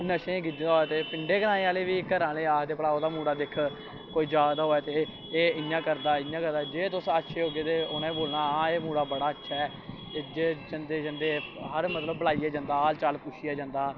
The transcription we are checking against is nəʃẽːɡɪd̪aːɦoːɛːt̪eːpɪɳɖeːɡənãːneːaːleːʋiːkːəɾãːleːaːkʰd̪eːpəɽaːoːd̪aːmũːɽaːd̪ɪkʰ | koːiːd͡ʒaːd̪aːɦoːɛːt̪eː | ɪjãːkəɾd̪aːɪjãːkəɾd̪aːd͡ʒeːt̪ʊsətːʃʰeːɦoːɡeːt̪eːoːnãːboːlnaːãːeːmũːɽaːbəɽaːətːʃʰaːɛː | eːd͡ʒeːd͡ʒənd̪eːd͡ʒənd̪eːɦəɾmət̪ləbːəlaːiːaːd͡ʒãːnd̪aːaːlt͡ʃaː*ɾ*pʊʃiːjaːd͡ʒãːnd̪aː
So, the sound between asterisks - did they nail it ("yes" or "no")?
no